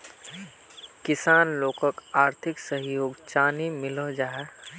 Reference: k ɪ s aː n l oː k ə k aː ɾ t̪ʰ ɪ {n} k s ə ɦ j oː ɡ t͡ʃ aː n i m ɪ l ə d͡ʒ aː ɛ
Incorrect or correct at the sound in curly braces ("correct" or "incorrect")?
incorrect